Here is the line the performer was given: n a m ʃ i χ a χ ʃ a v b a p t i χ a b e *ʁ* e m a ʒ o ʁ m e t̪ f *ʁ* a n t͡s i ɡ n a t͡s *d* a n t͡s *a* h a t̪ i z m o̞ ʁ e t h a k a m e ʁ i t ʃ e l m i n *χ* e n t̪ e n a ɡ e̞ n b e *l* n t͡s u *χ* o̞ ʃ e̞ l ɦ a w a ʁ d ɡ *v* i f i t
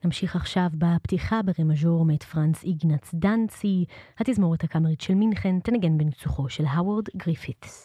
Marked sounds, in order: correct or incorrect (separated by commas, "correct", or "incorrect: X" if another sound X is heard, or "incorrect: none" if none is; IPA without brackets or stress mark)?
correct, correct, correct, incorrect: i, correct, incorrect: none, correct, incorrect: ʁ